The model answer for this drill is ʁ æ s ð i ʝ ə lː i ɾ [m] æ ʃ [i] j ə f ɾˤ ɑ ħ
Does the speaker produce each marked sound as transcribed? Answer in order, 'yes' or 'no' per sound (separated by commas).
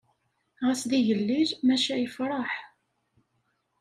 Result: yes, no